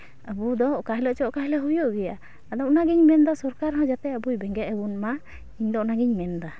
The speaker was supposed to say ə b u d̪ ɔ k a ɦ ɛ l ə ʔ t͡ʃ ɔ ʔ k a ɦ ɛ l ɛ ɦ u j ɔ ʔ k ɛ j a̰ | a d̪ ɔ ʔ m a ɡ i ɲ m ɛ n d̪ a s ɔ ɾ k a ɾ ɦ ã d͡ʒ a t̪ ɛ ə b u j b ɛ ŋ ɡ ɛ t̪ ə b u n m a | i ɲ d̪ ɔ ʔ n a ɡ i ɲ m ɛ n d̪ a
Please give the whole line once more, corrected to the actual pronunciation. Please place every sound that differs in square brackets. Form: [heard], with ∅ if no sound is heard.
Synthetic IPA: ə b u d̪ ɔ k a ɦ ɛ l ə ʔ t͡ʃ ɔ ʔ k a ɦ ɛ l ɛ ɦ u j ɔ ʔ [ɡ] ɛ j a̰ | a d̪ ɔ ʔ [n] a ɡ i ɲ m ɛ n d̪ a s ɔ ɾ k a ɾ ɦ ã d͡ʒ a t̪ ɛ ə b u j b ɛ ŋ ɡ ɛ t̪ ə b u n m a | i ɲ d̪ ɔ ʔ n a ɡ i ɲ m ɛ n d̪ a